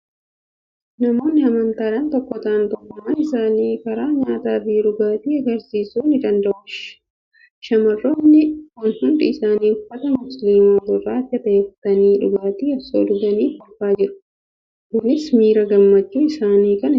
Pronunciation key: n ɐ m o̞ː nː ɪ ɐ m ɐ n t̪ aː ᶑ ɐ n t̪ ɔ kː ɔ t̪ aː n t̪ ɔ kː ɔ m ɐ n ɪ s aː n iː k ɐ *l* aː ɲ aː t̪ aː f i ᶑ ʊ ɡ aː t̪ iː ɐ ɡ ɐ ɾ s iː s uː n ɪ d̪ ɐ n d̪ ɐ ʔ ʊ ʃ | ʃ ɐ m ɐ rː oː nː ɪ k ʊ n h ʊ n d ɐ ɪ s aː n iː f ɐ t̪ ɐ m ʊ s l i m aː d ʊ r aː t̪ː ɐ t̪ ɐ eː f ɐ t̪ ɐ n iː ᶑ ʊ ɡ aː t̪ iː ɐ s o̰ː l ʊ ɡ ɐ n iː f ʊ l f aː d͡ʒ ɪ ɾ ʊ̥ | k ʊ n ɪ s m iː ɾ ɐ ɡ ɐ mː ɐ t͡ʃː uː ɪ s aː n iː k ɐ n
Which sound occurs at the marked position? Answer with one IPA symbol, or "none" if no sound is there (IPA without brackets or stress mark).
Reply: ɾ